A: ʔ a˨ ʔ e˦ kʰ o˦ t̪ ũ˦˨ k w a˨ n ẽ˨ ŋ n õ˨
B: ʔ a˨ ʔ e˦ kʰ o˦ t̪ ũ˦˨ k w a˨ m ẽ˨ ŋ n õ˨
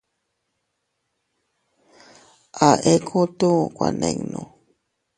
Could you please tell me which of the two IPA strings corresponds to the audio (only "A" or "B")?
A